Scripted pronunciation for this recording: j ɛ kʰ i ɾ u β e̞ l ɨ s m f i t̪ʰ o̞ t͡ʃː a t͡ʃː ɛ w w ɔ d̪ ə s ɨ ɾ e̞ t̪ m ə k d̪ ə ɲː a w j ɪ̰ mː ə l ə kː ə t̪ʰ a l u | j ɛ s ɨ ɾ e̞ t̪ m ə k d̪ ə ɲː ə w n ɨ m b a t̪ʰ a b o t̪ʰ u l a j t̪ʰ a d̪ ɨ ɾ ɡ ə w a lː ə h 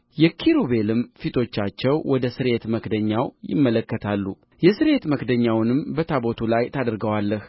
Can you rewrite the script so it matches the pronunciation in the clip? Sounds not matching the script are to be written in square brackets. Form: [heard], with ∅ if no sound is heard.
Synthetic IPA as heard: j ɛ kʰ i ɾ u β e̞ l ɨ [∅] m f i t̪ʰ o̞ t͡ʃː a t͡ʃː ɛ w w ɔ d̪ ə s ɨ ɾ e̞ t̪ m ə k d̪ ə ɲː a w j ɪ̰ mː ə l ə kː ə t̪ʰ a [lː] u | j ɛ s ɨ ɾ e̞ t̪ m ə k d̪ ə ɲː [a] w n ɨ m b [ə] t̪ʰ a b o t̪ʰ u l a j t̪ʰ a d̪ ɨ ɾ ɡ ə w a lː ə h